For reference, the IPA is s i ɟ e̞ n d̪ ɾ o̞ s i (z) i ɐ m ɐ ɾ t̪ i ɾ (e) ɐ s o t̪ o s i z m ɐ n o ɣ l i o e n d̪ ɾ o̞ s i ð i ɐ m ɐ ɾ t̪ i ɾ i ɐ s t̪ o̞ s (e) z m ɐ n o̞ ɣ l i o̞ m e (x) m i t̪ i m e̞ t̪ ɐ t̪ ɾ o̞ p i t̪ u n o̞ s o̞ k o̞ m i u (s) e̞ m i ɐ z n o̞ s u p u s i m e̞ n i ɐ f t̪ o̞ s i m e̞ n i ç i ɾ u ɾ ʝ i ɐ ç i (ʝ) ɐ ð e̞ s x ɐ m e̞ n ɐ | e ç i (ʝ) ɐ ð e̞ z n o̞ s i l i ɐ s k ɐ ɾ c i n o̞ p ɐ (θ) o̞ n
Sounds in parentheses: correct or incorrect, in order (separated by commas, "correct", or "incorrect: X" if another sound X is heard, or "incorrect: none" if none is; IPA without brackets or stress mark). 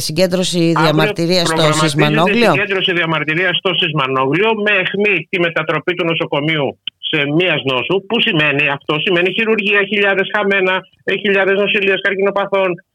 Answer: incorrect: ð, incorrect: i, incorrect: i, correct, correct, incorrect: ʎ, incorrect: ʎ, correct